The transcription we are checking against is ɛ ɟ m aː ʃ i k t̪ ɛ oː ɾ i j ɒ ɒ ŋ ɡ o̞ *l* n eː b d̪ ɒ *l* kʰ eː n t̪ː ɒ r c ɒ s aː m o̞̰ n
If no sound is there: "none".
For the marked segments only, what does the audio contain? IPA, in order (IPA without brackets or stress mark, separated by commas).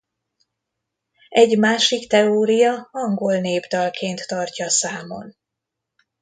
l, l